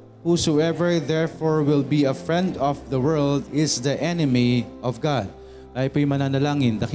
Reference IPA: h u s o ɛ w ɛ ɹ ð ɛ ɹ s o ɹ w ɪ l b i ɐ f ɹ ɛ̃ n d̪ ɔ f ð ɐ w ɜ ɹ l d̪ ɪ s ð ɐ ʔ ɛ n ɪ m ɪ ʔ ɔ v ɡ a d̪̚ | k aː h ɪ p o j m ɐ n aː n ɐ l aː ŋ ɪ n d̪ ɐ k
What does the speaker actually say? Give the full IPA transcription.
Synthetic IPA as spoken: h u s o ɛ v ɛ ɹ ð ɛ ɹ f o ɹ w ɪ l b i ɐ f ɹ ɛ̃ n d̪ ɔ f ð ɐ w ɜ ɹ l d̪ ɪ s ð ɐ ʔ ɛ n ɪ m i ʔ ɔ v ɡ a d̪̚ | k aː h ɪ p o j m ɐ n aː n ɐ l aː ŋ ɪ n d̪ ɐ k